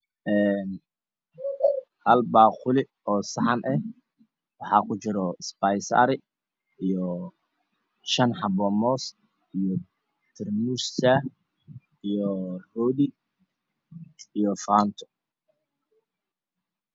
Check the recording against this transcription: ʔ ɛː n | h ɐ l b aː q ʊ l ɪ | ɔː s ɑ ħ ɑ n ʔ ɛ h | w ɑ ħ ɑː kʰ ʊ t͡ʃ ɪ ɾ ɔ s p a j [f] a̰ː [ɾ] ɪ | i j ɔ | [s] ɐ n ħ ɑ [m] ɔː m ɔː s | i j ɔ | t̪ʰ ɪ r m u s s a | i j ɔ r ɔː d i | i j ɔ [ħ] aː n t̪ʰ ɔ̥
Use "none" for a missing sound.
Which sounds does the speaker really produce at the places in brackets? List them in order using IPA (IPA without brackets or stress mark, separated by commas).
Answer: s, ɾ, ʃ, b, f